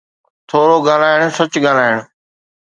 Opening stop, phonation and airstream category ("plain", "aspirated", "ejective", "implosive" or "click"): aspirated